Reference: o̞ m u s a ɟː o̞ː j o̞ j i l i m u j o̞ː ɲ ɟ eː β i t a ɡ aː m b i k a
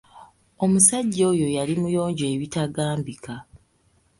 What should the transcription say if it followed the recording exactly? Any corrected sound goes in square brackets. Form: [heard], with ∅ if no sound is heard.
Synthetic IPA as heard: o̞ m u s a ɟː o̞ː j o̞ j [a] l i m u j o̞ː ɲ ɟ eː β i t a ɡ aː m b i k a